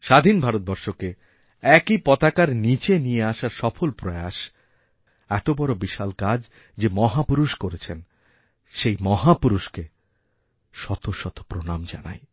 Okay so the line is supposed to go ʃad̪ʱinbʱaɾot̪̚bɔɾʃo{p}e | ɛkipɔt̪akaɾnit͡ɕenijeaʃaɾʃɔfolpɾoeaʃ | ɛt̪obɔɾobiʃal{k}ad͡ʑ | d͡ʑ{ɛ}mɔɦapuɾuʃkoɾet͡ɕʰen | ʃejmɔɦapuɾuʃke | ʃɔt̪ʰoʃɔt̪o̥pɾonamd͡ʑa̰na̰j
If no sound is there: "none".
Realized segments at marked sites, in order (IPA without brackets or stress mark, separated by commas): k, k, e